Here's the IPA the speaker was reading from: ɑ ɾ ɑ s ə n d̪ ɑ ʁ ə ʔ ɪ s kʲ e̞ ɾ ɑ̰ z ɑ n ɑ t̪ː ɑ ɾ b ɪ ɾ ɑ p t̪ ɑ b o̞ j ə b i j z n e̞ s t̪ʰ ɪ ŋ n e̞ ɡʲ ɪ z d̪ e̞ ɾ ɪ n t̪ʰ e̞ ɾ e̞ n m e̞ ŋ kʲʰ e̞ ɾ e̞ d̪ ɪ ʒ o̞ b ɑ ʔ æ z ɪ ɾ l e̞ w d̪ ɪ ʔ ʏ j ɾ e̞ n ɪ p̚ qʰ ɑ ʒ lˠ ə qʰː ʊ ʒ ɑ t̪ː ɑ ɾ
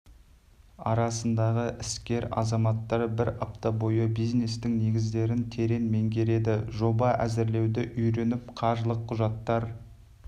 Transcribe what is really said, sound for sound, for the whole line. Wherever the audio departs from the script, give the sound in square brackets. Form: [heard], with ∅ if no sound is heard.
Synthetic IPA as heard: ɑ ɾ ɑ s ə n d̪ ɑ ʁ ə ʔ ɪ s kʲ e̞ ɾ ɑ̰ z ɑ [m] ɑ t̪ː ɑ ɾ b ɪ ɾ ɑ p t̪ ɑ b o̞ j ə b i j z n e̞ s [t̪] ɪ ŋ n e̞ ɡʲ ɪ z d̪ e̞ ɾ ɪ n t̪ʰ e̞ ɾ e̞ n m e̞ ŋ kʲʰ e̞ ɾ e̞ d̪ ɪ ʒ o̞ b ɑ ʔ æ z ɪ ɾ l e̞ w d̪ ɪ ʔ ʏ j ɾ e̞ n ɪ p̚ qʰ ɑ ʒ lˠ ə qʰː ʊ ʒ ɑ t̪ː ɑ ɾ